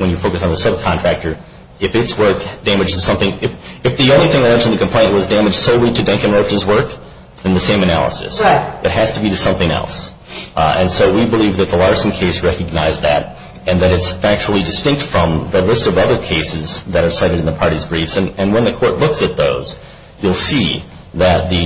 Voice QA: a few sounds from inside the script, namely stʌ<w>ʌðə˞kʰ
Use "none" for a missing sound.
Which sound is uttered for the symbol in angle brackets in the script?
v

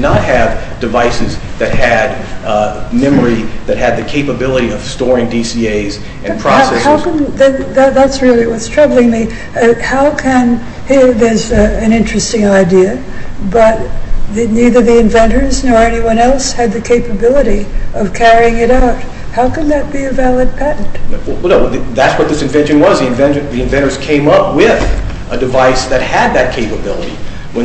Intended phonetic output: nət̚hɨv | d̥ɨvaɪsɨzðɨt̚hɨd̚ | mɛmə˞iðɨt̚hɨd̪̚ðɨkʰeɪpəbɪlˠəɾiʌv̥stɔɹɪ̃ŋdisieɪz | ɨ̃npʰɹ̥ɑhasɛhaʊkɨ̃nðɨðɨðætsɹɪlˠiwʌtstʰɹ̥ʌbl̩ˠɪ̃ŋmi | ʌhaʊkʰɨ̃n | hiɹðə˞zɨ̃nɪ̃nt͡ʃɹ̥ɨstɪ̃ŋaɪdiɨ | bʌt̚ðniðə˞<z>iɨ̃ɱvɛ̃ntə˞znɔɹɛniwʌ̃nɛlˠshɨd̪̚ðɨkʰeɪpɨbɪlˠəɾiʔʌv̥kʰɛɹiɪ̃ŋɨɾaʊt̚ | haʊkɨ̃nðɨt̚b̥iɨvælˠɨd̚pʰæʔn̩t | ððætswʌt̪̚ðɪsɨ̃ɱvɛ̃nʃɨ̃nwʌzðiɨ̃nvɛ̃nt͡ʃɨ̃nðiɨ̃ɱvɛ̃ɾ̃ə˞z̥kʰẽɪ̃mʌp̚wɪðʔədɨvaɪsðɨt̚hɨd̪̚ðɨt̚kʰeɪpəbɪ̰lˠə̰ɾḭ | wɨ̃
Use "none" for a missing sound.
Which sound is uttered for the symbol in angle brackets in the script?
ð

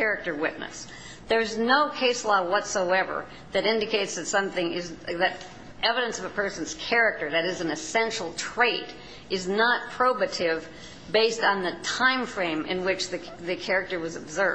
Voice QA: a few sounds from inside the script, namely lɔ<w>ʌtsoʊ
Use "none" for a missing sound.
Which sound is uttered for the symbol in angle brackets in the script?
w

